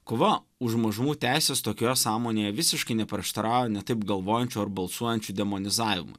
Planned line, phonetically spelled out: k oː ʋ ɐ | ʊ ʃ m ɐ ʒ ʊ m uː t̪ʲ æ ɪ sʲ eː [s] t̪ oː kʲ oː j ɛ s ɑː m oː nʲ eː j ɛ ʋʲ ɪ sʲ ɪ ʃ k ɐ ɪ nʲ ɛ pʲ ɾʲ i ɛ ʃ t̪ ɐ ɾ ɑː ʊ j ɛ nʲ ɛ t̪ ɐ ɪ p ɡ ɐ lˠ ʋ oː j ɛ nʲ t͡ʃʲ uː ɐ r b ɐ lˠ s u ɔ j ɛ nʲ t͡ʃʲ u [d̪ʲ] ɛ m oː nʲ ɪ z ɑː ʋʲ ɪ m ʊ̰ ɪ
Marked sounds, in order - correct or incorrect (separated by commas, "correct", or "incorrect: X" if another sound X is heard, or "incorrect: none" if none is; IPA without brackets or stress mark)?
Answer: correct, correct